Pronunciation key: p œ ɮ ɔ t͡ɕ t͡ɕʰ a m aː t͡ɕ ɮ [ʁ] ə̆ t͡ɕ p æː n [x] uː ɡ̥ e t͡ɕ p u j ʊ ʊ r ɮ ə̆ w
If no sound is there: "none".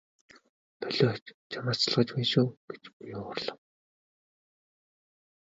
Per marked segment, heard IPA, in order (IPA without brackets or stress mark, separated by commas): ʁ, ʃ